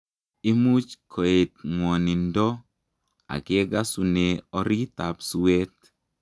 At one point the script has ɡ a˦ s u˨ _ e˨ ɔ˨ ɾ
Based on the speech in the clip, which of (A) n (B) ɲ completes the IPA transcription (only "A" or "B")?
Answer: A